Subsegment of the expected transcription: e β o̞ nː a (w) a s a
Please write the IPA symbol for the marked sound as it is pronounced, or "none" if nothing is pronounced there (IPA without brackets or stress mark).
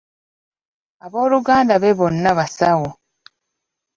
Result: β